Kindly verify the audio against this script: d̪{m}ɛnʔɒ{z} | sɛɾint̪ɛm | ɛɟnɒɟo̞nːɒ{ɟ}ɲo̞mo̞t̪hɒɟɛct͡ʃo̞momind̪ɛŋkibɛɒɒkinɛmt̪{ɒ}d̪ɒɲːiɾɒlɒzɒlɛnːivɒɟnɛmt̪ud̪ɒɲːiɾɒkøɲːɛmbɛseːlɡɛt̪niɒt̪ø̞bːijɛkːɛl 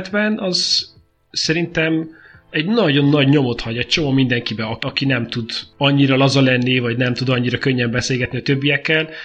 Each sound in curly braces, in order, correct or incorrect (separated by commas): incorrect, correct, correct, incorrect